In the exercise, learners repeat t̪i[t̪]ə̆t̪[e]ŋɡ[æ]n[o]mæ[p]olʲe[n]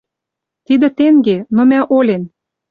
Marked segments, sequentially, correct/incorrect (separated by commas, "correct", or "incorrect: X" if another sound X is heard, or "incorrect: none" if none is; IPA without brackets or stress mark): incorrect: d̪, correct, incorrect: e, correct, incorrect: ʔ, correct